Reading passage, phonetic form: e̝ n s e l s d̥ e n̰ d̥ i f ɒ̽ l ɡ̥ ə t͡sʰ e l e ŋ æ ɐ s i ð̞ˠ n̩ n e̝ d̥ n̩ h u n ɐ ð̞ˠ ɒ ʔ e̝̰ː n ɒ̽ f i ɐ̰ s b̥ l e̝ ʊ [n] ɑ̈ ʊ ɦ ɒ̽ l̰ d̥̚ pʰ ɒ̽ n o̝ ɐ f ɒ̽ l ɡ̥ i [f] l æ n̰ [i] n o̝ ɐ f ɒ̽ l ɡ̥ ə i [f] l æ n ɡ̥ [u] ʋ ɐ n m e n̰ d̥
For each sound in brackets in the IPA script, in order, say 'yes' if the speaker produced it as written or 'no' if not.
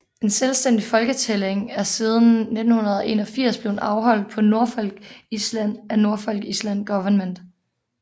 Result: yes, no, no, no, no

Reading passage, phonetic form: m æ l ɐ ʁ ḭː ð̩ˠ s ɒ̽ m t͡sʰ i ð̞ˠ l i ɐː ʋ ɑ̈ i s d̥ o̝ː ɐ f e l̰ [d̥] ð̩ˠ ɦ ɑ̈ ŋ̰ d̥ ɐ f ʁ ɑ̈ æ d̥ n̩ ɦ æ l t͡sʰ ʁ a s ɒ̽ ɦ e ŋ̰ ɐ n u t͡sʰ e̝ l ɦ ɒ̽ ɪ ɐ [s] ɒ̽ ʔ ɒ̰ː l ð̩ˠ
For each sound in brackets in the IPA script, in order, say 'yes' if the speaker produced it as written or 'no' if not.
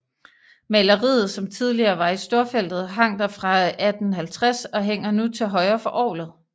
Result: yes, no

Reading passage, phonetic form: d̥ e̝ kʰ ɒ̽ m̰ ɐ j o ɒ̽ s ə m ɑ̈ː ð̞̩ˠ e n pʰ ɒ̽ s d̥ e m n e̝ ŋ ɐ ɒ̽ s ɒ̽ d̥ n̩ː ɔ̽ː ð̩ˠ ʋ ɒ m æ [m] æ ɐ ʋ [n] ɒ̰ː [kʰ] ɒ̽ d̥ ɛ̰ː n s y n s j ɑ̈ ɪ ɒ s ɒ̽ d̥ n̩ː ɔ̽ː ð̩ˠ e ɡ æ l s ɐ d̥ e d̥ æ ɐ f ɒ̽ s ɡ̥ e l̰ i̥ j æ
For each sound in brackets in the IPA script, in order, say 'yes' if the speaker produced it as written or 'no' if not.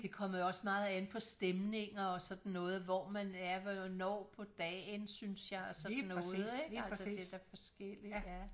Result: no, yes, no

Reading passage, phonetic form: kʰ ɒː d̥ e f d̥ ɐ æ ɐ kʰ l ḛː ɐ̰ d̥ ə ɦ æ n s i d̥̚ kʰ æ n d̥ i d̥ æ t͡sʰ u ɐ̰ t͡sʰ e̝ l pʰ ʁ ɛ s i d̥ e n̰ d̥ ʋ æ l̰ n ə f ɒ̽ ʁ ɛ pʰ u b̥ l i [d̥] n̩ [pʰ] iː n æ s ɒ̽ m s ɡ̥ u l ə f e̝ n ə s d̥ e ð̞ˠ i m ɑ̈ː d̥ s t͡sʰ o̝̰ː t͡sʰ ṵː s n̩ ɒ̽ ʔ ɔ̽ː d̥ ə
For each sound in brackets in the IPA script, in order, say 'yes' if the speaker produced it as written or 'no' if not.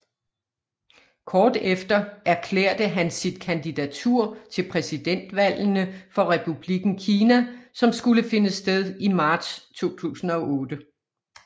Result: no, no

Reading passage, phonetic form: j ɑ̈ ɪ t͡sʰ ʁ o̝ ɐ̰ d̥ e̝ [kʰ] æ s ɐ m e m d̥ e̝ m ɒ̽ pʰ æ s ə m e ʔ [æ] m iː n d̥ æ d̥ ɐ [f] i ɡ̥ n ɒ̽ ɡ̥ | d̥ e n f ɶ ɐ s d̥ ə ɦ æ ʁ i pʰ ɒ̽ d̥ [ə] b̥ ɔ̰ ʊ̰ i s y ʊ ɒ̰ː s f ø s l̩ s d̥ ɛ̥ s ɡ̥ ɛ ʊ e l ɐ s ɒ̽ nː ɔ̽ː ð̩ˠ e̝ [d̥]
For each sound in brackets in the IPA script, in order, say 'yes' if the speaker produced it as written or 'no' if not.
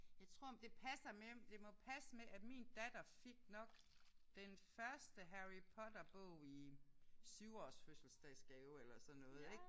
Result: no, yes, yes, no, no

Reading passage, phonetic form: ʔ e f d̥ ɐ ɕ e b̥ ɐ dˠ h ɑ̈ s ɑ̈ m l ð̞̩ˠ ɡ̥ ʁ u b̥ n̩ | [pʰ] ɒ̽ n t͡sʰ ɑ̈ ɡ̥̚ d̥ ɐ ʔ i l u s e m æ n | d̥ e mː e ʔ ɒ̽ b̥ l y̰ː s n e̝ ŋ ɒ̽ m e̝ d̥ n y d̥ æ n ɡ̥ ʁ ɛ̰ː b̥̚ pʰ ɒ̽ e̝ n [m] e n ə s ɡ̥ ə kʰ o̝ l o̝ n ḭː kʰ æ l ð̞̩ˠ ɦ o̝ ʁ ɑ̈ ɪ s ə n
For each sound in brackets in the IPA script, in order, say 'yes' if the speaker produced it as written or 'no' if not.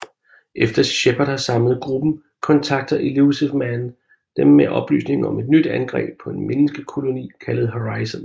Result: no, yes

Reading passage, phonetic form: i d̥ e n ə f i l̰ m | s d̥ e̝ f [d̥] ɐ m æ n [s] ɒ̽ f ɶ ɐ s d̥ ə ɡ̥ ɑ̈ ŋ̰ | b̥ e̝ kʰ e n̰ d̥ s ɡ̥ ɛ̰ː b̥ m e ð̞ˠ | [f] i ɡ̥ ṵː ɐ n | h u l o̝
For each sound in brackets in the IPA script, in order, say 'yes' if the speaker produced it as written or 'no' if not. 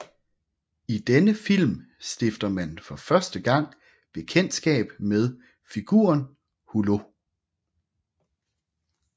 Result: yes, no, yes

